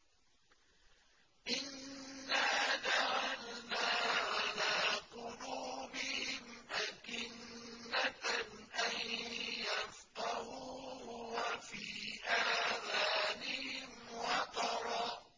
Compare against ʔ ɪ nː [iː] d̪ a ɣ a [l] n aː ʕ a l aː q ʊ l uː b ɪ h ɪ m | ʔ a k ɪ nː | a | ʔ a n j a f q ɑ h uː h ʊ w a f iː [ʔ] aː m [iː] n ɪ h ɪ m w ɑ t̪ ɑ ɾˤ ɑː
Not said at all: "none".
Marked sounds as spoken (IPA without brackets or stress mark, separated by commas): aː, l, ʔ, aː